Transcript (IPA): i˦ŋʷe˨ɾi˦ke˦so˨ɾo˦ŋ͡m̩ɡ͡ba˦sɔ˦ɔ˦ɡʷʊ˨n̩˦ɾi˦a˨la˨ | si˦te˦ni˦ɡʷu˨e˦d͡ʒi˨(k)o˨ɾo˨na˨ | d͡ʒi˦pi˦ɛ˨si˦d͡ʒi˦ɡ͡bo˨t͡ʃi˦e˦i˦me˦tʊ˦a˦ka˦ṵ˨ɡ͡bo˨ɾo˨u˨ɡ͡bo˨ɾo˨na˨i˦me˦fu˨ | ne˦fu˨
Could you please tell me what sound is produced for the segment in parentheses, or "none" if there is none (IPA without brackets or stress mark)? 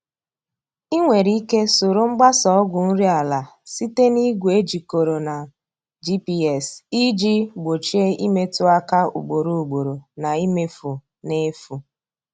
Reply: k